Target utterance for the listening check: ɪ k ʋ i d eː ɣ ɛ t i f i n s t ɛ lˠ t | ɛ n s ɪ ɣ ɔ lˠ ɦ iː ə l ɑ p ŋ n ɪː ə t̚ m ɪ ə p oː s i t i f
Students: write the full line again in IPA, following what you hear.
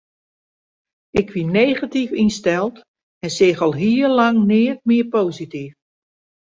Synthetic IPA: ɪ k ʋ i n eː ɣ a t i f i n s t ɛ lˠ t | ɛ n s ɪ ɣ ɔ lˠ ɦ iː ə l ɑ ŋ n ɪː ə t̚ m ɪ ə p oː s i t i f